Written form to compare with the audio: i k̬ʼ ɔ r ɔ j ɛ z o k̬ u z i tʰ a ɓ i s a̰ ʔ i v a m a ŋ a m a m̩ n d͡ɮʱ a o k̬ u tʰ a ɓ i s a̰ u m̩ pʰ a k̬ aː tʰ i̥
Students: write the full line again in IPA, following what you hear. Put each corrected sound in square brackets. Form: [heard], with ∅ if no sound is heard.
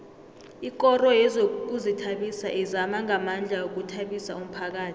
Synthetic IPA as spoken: i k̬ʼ ɔ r ɔ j ɛ z o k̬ u z i tʰ a ɓ i s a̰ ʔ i [z] a m a ŋ a m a [∅] n d͡ɮʱ a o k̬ u tʰ a ɓ i s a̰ u m̩ pʰ a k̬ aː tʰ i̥